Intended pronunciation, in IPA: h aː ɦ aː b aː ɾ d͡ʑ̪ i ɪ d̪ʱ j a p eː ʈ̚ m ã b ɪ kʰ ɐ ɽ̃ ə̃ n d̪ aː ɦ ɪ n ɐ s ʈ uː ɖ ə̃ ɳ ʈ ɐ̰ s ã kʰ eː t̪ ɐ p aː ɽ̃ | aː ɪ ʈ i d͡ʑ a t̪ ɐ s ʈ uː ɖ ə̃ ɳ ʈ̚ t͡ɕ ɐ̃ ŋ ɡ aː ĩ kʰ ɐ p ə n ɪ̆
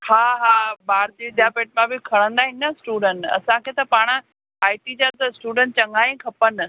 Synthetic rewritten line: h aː ɦ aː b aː ɾ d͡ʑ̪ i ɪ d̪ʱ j a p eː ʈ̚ m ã b ɪ kʰ ɐ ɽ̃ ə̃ n d̪ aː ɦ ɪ n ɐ s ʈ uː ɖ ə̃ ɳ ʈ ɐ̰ s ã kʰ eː t̪ ɐ p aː ɽ̃ | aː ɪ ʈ i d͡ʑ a t̪ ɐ s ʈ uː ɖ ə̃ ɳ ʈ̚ t͡ɕ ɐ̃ ŋ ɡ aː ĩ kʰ ɐ p ə n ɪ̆

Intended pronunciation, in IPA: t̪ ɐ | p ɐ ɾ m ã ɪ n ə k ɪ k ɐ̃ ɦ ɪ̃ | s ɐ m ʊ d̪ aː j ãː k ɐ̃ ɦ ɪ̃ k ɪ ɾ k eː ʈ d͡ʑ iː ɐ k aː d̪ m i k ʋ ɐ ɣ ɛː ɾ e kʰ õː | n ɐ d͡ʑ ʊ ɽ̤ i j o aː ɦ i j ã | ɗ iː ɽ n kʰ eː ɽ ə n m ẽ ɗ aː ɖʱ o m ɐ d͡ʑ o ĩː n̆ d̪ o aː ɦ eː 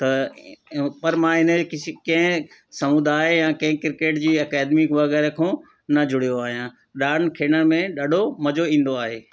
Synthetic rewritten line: t̪ ɐ | p ɐ ɾ m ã ɪ n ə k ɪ k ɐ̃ ɦ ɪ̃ | s ɐ m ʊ d̪ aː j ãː k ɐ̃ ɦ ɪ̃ k ɪ ɾ k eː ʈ d͡ʑ iː ɐ k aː d̪ m i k ʋ ɐ ɣ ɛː ɾ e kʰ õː | n ɐ d͡ʑ ʊ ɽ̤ i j o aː ɦ i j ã | ɗ aː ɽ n kʰ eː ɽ ə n m ẽ ɗ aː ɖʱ o m ɐ d͡ʑ o ĩː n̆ d̪ o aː ɦ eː

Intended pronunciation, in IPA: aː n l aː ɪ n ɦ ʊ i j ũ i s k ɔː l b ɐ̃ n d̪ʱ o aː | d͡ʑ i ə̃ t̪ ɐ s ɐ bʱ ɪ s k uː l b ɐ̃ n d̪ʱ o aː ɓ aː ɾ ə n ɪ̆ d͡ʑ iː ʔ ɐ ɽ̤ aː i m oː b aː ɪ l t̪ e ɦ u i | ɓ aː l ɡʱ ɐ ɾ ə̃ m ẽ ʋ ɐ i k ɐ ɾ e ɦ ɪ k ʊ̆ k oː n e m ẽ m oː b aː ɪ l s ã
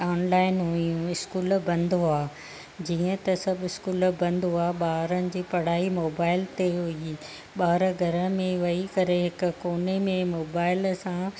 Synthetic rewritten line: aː n l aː ɪ n ɦ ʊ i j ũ ɪ s k uː l b ɐ̃ n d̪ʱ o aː | d͡ʑ iː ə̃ t̪ ɐ s ɐ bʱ ɪ s k uː l b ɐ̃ n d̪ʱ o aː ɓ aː ɾ ə n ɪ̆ d͡ʑ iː p ɐ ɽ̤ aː i m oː b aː ɪ l t̪ e ɦ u i | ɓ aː ɾ ɡʱ ɐ ɾ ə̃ m ẽ ʋ ɐ i k ɐ ɾ e ɦ ɪ k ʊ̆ k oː n e m ẽ m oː b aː ɪ l s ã

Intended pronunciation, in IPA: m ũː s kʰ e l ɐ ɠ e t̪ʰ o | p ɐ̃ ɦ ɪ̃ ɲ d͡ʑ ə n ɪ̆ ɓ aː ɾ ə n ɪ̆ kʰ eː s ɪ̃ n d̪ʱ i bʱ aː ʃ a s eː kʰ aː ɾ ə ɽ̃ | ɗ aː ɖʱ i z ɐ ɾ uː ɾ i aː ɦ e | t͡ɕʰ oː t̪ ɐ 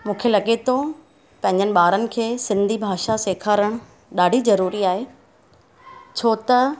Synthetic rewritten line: m ũː kʰ e l ɐ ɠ e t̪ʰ o | p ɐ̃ ɦ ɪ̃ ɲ d͡ʑ ə n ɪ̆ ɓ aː ɾ ə n ɪ̆ kʰ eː s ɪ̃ n d̪ʱ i bʱ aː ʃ a s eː kʰ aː ɾ ə ɽ̃ | ɗ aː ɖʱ i z ɐ ɾ uː ɾ i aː ɦ e | t͡ɕʰ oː t̪ ɐ

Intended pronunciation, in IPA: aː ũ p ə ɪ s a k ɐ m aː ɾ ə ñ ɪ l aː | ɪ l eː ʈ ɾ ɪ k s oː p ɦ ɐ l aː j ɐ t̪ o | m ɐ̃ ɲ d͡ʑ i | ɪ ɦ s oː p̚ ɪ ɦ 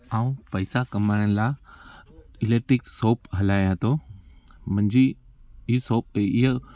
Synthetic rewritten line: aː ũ p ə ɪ s a k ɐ m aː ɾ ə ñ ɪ l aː | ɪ l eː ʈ ɾ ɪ k s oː p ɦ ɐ l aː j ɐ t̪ o | m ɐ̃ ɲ d͡ʑ i | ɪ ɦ s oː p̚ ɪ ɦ

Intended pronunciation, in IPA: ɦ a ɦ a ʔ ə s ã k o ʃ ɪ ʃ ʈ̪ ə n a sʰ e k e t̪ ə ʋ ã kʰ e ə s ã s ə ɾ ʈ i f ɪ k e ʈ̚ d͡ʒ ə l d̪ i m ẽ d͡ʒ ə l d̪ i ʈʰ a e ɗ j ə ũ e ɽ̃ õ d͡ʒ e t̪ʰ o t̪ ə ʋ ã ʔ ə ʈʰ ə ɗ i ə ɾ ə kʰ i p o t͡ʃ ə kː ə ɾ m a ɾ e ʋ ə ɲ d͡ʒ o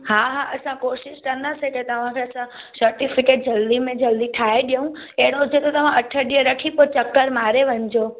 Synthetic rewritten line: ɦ a ɦ a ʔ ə s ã k o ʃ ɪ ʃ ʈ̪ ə n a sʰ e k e t̪ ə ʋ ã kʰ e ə s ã s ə ɾ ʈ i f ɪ k e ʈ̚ d͡ʒ ə l d̪ i m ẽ d͡ʒ ə l d̪ i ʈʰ a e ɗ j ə ũ e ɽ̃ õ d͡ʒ e t̪ o t̪ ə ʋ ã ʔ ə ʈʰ ə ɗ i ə ɾ ə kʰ i p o t͡ʃ ə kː ə ɾ m a ɾ e ʋ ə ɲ d͡ʒ o

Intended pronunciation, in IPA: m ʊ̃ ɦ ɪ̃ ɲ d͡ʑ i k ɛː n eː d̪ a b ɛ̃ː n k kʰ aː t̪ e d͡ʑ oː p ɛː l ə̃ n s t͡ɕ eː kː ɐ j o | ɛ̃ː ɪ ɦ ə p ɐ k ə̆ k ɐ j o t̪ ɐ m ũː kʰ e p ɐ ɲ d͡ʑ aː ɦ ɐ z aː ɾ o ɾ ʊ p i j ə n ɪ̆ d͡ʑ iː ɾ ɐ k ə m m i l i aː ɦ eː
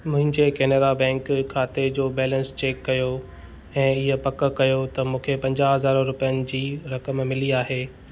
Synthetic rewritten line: m ʊ̃ ɦ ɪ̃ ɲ d͡ʑ e k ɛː n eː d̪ a b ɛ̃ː ŋ k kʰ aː t̪ e d͡ʑ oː b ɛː l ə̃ n s t͡ɕ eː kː ɐ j o | ɛ̃ː ɪ ɦ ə p ɐ k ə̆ k ɐ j o t̪ ɐ m ũː kʰ e p ɐ̃ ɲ d͡ʑ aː ɦ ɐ z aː ɾ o ɾ ʊ p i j ə n ɪ̆ d͡ʑ iː ɾ ɐ k ə m m ɪ l i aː ɦ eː

